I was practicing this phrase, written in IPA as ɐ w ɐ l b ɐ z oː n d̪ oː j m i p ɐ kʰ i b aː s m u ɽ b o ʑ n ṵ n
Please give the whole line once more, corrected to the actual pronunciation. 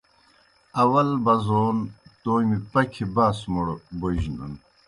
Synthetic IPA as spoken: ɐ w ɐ l b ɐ z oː n t̪ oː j m i p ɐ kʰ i b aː s m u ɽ b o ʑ n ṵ n

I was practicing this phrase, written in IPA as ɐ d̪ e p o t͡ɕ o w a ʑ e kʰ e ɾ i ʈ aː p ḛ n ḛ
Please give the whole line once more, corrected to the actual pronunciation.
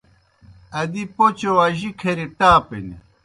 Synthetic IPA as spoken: ɐ d̪ i p o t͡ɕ o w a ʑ i kʰ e ɾ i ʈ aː p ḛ n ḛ

